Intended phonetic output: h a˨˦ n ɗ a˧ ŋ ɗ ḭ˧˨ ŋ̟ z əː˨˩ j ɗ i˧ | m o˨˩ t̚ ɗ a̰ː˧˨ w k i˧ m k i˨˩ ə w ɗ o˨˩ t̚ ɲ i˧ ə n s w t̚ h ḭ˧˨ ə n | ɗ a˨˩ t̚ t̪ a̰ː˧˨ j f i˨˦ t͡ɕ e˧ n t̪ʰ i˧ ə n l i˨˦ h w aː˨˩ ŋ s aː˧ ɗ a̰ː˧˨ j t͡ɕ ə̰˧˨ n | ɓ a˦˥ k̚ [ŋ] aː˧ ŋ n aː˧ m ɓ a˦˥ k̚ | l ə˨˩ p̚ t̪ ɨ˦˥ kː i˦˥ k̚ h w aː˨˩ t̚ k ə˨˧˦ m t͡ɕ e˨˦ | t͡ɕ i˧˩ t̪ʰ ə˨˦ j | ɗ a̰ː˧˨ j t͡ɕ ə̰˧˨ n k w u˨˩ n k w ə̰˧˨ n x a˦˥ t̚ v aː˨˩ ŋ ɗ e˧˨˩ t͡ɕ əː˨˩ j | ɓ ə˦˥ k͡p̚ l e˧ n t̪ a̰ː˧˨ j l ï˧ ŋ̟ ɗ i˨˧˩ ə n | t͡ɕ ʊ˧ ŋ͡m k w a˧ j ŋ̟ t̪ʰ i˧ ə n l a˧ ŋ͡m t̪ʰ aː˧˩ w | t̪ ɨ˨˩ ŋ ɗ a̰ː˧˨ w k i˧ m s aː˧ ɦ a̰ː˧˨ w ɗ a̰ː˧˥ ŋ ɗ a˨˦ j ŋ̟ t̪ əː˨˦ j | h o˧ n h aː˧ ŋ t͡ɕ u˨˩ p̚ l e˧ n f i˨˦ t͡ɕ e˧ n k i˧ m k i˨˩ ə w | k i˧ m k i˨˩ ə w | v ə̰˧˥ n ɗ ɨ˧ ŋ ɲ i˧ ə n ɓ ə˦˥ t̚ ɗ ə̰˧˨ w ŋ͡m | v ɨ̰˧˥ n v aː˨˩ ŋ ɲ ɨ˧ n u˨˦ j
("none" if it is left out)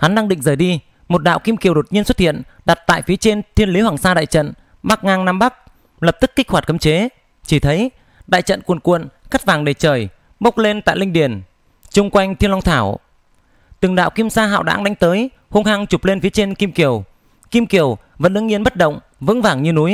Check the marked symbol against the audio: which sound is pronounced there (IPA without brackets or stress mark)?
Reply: ŋ